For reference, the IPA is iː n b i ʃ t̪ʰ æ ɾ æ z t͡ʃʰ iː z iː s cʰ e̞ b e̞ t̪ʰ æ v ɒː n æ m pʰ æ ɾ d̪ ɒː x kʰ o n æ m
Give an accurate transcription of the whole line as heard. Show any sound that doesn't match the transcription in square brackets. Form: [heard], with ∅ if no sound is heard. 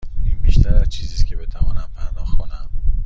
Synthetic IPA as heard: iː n b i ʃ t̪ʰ æ ɾ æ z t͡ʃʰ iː z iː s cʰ e̞ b e̞ t̪ʰ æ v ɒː n æ m pʰ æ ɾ d̪ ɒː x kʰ o n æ m